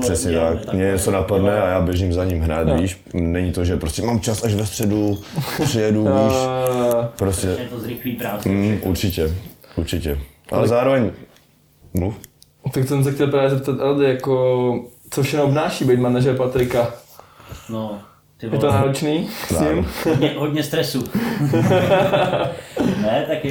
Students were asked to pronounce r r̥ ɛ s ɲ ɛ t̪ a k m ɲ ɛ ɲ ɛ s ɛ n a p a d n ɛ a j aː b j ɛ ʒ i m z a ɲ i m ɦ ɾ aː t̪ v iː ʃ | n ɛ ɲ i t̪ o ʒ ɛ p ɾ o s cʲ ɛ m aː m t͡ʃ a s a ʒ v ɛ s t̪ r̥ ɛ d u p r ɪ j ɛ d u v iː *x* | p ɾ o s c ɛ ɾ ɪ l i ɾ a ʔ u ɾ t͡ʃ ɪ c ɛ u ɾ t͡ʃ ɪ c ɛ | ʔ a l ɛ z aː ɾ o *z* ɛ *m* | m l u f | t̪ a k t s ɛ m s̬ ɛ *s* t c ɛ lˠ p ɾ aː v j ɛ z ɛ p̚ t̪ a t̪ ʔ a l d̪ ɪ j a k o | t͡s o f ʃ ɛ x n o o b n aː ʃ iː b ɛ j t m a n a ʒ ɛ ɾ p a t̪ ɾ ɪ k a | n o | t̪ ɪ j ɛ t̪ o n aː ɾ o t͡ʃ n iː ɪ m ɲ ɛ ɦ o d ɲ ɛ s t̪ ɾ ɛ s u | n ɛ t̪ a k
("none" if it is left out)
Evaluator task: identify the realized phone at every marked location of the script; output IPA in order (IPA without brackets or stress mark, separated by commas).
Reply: ʃ, v, ɲ, x